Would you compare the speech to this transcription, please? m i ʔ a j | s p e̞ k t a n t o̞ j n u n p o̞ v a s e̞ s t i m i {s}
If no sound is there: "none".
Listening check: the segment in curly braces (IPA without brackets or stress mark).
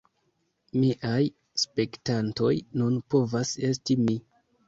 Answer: none